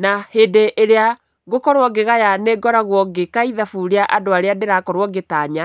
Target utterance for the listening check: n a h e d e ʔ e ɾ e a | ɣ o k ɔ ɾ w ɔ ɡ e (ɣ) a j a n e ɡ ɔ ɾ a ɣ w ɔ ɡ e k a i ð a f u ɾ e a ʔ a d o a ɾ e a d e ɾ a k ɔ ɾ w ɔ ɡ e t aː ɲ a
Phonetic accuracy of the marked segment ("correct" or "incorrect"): correct